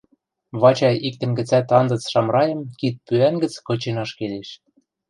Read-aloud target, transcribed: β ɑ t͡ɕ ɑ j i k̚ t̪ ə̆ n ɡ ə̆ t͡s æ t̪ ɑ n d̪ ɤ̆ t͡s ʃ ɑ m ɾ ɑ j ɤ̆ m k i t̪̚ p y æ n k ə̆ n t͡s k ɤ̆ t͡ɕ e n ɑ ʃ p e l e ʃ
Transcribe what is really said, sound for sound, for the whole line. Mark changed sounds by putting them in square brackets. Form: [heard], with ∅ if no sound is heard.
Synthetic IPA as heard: β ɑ t͡ɕ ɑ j i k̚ t̪ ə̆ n ɡ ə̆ t͡s æ t̪ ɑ n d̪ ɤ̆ t͡s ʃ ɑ m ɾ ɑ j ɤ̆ m k i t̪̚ p y æ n [ɡ] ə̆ [∅] t͡s k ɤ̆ t͡ɕ e n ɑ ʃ [k] e l e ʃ